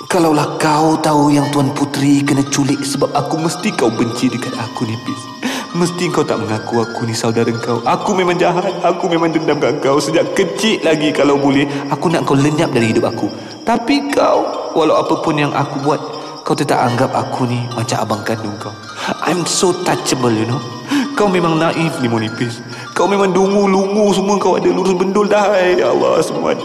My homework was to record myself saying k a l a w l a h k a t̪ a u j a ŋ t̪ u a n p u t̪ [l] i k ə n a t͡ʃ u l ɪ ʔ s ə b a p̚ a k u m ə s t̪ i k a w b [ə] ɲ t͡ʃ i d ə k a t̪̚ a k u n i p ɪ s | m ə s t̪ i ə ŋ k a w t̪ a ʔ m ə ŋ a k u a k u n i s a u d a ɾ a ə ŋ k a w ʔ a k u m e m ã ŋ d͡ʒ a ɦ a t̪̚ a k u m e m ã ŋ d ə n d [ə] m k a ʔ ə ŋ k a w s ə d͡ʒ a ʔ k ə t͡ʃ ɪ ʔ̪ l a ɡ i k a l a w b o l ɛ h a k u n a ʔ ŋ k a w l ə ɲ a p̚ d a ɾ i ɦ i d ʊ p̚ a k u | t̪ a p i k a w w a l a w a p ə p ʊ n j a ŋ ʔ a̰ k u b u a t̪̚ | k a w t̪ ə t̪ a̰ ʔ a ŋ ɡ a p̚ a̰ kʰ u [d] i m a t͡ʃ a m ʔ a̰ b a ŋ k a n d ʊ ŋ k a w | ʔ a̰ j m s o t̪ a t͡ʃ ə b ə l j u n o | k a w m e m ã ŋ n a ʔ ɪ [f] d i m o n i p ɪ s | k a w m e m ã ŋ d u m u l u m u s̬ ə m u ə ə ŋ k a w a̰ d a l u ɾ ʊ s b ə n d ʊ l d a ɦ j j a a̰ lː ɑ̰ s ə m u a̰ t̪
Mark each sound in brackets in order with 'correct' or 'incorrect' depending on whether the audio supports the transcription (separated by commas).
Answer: incorrect, correct, incorrect, incorrect, correct